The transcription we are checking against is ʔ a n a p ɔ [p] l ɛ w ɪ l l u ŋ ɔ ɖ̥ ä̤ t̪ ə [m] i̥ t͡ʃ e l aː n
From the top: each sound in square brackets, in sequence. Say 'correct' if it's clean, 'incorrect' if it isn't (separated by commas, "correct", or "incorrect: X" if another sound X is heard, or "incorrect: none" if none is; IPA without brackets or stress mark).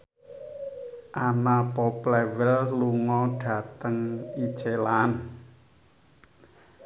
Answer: correct, incorrect: ŋ